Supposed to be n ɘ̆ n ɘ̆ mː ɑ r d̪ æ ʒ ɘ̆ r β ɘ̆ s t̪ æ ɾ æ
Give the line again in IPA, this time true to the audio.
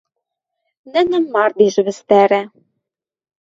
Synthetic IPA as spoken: n ɘ̆ n ɘ̆ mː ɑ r d̪ i ʒ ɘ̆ β ɘ̆ s t̪ æ ɾ æ

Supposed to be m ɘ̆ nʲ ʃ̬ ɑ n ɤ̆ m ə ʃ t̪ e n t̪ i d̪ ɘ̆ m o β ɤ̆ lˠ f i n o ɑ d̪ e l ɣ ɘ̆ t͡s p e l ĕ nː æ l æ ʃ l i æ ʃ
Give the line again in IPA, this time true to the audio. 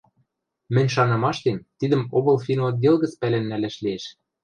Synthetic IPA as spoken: m ɘ̆ nʲ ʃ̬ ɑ n ɤ̆ m ɑ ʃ t̪ e n t̪ i d̪ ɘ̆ m o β ɤ̆ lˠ f i n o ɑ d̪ e l ɣ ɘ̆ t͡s p æ l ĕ nː æ l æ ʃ l i e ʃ

